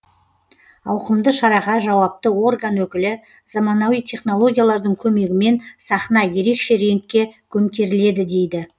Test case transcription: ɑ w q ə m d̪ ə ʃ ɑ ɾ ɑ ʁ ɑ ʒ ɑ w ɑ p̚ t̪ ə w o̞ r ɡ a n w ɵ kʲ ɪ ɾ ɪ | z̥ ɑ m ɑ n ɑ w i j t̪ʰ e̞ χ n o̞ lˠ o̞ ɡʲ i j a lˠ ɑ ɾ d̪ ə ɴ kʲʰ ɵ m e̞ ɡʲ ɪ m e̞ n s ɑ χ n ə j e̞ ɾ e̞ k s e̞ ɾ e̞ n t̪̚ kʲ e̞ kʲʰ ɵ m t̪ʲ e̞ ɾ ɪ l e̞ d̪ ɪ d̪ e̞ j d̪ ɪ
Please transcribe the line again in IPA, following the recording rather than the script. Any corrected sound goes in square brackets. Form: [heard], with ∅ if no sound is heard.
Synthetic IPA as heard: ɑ w q ə m d̪ ə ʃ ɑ ɾ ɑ ʁ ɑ ʒ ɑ w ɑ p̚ t̪ ə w o̞ r ɡ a n w ɵ kʲ ɪ [l] ɪ | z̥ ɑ m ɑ n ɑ w i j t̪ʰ e̞ χ n o̞ lˠ o̞ ɡʲ i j a lˠ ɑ ɾ d̪ ə ɴ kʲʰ ɵ m e̞ ɡʲ ɪ m e̞ n s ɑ χ n [ɑ] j e̞ ɾ e̞ k [ʃ] e̞ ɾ e̞ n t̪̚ kʲ e̞ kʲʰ ɵ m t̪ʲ e̞ ɾ ɪ l e̞ d̪ ɪ d̪ e̞ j d̪ ɪ

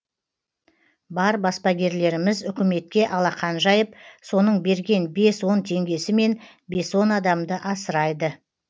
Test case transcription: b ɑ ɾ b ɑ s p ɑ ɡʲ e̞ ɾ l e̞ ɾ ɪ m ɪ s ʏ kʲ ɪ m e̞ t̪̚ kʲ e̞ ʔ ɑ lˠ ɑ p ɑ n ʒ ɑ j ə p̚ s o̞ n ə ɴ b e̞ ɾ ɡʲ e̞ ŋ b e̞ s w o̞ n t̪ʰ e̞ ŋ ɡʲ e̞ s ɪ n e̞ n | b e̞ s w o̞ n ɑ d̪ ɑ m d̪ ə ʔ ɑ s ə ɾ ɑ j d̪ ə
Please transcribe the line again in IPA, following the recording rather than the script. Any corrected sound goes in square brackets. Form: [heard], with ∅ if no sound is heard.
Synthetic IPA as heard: b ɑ ɾ b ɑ s p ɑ ɡʲ e̞ ɾ l e̞ ɾ ɪ m ɪ [z] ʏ kʲ ɪ m e̞ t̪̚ kʲ e̞ ʔ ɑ lˠ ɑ [q] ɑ n ʒ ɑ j ə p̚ s o̞ n ə ɴ b e̞ ɾ ɡʲ e̞ [n] b e̞ s w o̞ n t̪ʰ e̞ ŋ ɡʲ e̞ s ɪ [m] e̞ n | b e̞ s w o̞ n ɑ d̪ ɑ m d̪ ə ʔ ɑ s ə ɾ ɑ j d̪ ə

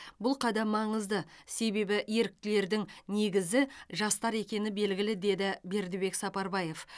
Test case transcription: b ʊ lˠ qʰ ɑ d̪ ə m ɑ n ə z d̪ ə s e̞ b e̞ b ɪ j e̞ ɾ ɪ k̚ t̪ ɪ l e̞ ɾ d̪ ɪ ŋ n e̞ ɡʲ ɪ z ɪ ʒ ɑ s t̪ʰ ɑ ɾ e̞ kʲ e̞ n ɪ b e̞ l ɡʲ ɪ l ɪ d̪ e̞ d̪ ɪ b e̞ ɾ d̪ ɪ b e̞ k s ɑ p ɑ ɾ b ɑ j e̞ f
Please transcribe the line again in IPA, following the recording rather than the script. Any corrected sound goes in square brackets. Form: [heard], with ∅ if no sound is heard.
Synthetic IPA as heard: b ʊ lˠ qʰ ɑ d̪ [ɑ] m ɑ [ɴ] ə z d̪ ə s e̞ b e̞ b ɪ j e̞ ɾ ɪ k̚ t̪ ɪ l e̞ ɾ d̪ ɪ ŋ n e̞ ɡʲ ɪ z ɪ ʒ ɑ s [t̪] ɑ ɾ e̞ kʲ e̞ n ɪ b e̞ l ɡʲ ɪ l ɪ d̪ e̞ d̪ ɪ b e̞ ɾ d̪ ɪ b e̞ k s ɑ p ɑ ɾ b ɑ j e̞ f

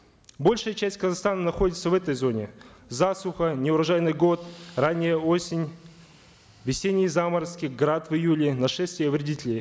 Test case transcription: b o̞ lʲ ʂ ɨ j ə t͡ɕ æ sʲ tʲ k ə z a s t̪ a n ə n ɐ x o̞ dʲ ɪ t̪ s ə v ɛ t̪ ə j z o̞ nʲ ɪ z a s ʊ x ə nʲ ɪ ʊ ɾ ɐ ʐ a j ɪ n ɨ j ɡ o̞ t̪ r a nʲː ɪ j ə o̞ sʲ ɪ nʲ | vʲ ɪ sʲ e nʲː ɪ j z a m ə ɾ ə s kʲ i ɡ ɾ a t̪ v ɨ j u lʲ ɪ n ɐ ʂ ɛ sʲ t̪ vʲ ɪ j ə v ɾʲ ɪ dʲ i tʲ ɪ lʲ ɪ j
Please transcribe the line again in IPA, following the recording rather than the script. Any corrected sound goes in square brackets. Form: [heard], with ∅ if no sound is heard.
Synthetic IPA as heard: b o̞ lʲ ʂ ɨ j ə t͡ɕ æ sʲ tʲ k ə z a s t̪ a n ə n ɐ x o̞ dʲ ɪ t̪ s ə v ɛ t̪ ə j z o̞ nʲ ɪ z a s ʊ x ə nʲ ɪ ʊ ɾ ɐ ʐ a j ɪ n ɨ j ɡ o̞ t̪ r a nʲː ɪ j ə o̞ sʲ ɪ nʲ | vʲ ɪ sʲ e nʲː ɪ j z a m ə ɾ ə s kʲ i ɡ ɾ a t̪ v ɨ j u lʲ ɪ n ɐ ʂ ɛ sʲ t̪ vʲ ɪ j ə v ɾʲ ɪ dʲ i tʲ ɪ lʲ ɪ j

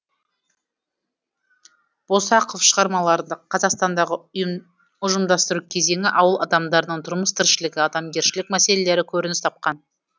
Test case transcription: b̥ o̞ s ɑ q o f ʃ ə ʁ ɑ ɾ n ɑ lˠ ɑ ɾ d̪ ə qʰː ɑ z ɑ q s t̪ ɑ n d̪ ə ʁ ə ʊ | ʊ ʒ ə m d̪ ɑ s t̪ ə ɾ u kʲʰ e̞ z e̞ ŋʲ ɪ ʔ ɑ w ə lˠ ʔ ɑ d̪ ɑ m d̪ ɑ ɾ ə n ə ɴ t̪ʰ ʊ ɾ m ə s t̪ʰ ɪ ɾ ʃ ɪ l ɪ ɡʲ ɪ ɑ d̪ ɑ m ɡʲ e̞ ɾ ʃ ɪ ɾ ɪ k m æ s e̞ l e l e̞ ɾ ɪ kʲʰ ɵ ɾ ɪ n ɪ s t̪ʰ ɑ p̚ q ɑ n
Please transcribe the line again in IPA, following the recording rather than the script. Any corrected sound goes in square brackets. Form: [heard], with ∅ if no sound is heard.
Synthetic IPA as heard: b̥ o̞ s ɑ q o f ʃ ə ʁ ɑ ɾ [m] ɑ lˠ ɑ ɾ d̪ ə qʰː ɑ z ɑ q s t̪ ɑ n d̪ [ɑ] ʁ ə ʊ | ʊ ʒ ə m d̪ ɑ s t̪ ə ɾ u kʲʰ e̞ z e̞ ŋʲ ɪ ʔ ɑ w ə lˠ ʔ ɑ d̪ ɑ m d̪ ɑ ɾ ə n ə ɴ t̪ʰ ʊ ɾ m ə s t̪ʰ ɪ ɾ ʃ ɪ l ɪ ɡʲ ɪ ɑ d̪ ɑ m ɡʲ e̞ ɾ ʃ ɪ [l] ɪ k m æ s e̞ l e l e̞ ɾ ɪ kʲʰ ɵ ɾ ɪ n ɪ s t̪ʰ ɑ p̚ q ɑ n

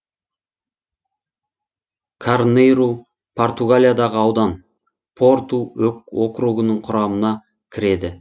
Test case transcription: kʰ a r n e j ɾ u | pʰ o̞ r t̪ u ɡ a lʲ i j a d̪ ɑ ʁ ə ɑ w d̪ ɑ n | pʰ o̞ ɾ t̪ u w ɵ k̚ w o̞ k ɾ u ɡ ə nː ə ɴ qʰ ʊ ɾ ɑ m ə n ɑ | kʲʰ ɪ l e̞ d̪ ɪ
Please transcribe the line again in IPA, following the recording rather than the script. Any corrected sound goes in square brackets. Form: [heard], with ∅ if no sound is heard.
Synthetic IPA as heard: kʰ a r n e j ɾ u | pʰ o̞ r t̪ u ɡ a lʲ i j a d̪ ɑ ʁ ə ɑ w d̪ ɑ n | pʰ o̞ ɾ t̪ u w ɵ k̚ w o̞ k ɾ u ɡ ə [n] ə ɴ qʰ ʊ ɾ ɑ m ə n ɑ | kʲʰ ɪ [ɾ] e̞ d̪ ɪ

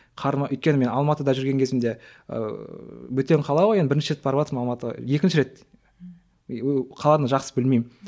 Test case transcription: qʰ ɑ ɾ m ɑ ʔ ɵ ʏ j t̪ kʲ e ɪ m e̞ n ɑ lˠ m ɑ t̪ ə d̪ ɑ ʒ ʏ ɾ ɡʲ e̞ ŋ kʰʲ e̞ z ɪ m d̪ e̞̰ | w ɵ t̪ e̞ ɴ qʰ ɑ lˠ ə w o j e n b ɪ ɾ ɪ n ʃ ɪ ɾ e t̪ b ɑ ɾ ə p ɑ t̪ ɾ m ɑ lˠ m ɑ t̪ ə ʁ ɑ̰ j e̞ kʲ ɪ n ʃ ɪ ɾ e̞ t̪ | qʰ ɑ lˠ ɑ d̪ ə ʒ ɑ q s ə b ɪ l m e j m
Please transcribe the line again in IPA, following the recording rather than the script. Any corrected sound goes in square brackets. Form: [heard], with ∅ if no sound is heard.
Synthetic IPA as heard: qʰ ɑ ɾ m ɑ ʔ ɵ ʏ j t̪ kʲ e ɪ m e̞ n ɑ lˠ m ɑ t̪ ə d̪ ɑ ʒ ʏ ɾ ɡʲ e̞ ŋ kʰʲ e̞ z ɪ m d̪ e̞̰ | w ɵ t̪ e̞ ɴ qʰ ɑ lˠ [ɑ] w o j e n b ɪ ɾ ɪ n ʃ ɪ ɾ e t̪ b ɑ ɾ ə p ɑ t̪ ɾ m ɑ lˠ m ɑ t̪ ə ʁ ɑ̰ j e̞ kʲ ɪ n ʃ ɪ ɾ e̞ t̪ | qʰ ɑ lˠ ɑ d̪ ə ʒ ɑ q s ə b ɪ l m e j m

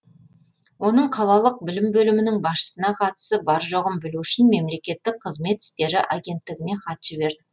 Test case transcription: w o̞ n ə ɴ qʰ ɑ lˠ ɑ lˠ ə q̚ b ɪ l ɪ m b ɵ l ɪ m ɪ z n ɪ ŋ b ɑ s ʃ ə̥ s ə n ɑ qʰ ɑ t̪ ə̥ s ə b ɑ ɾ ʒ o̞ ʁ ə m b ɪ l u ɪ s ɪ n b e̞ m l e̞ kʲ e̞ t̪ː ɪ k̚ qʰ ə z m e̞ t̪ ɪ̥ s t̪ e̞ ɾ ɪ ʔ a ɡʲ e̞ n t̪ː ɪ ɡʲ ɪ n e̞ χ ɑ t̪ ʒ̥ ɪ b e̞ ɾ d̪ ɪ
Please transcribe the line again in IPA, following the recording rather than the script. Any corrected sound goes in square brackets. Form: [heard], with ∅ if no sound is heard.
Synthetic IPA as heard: w o̞ n ə ɴ qʰ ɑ lˠ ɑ lˠ ə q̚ b ɪ l ɪ m b ɵ l ɪ m ɪ [∅] n ɪ ŋ b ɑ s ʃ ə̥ s ə n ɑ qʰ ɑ t̪ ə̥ s ə b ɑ ɾ ʒ o̞ ʁ ə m b ɪ l u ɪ [ʃ] ɪ n [m] e̞ m l e̞ kʲ e̞ t̪ː ɪ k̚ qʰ ə z m e̞ t̪ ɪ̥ s t̪ e̞ ɾ ɪ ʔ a ɡʲ e̞ n t̪ː ɪ ɡʲ ɪ n e̞ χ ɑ t̪ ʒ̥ ɪ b e̞ ɾ d̪ ɪ

